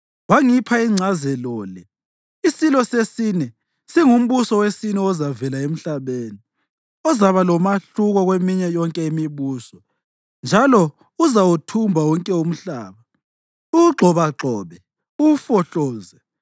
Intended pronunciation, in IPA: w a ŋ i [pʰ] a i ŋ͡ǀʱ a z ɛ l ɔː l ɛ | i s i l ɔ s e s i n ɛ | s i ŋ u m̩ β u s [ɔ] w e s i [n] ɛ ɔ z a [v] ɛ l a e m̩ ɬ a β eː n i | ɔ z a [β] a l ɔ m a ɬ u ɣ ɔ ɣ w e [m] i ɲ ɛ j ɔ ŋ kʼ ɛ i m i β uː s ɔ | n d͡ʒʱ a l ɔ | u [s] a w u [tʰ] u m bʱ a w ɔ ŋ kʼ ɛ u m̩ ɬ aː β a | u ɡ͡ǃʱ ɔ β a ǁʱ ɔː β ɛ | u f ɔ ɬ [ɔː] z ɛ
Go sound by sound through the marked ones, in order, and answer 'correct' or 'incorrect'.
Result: correct, correct, correct, correct, correct, correct, incorrect: z, correct, correct

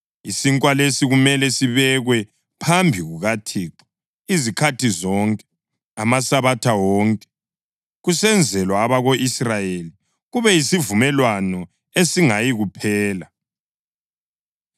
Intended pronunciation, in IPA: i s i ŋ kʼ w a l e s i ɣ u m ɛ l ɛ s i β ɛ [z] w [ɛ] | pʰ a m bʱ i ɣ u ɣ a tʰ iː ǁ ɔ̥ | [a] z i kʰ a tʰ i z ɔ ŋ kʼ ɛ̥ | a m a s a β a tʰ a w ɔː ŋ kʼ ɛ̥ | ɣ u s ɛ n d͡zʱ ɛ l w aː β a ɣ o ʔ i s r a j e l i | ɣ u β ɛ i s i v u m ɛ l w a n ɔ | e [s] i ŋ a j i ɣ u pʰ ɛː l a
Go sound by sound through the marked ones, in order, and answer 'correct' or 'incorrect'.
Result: incorrect: ɣ, correct, incorrect: i, correct

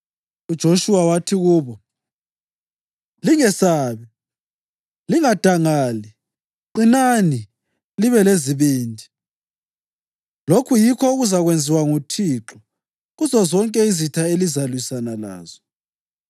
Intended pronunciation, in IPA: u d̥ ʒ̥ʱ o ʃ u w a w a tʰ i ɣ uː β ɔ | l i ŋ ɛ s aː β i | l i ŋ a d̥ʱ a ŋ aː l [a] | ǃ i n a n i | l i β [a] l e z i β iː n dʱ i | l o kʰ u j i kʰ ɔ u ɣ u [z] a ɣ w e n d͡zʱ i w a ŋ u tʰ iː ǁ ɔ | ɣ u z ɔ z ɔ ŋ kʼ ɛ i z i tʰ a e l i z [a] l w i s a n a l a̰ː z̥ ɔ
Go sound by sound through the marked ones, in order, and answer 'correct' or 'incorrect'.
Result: incorrect: i, incorrect: ɛ, correct, correct

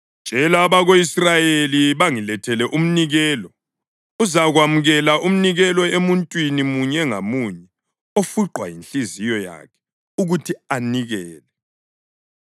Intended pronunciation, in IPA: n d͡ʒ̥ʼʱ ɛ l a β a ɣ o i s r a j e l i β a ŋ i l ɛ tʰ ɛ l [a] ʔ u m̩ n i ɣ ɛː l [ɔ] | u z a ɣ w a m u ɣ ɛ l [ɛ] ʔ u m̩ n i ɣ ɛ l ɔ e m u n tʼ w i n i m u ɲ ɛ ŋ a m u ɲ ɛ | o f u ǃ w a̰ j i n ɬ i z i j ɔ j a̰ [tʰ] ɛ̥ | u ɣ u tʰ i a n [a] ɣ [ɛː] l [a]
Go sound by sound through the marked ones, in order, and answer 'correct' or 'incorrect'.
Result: incorrect: ɛ, correct, incorrect: a, incorrect: kʰ, incorrect: i, correct, incorrect: ɛ

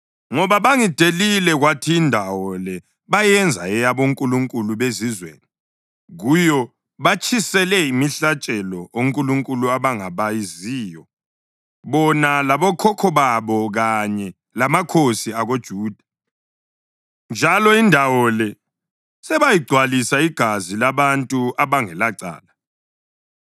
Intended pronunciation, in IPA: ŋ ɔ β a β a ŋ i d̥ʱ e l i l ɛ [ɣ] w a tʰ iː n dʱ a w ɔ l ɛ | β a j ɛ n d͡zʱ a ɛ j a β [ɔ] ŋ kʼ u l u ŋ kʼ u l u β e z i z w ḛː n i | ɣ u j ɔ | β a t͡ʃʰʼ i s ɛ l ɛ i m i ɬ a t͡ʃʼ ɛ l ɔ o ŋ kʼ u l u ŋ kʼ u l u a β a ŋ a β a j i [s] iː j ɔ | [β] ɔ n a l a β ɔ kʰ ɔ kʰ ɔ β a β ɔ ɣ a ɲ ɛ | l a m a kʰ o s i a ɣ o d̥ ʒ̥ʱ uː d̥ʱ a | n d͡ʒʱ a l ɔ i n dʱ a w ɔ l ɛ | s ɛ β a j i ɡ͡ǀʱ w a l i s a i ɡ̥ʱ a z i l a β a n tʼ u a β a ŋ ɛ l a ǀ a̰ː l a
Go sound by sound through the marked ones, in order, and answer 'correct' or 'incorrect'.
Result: correct, incorrect: o, incorrect: z, correct

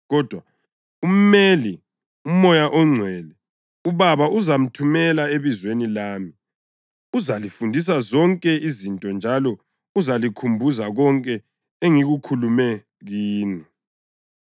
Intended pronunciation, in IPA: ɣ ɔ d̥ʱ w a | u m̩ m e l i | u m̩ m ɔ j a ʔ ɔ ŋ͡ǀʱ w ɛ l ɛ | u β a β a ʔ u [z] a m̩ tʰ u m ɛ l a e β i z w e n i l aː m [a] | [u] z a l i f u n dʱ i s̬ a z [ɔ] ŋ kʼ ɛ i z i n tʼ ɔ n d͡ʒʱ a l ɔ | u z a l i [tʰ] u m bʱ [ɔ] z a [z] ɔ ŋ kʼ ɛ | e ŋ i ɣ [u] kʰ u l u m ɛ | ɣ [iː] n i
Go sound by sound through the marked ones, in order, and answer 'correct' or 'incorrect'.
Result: correct, incorrect: i, correct, correct, incorrect: kʰ, incorrect: u, incorrect: ɣ, correct, correct

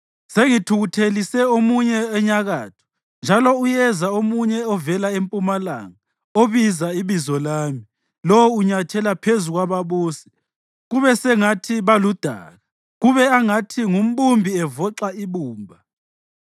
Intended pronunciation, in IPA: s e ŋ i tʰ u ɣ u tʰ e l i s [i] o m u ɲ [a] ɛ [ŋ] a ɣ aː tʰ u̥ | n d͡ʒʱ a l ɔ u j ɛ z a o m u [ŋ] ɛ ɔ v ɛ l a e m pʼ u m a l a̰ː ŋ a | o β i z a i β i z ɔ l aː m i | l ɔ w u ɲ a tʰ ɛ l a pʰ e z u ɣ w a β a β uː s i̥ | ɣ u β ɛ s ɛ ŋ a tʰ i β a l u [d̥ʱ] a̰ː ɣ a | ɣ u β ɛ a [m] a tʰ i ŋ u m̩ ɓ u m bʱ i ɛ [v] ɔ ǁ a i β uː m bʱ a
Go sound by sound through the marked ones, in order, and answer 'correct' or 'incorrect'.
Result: incorrect: ɛ, incorrect: ɛ, incorrect: ɲ, incorrect: ɲ, correct, incorrect: ŋ, correct

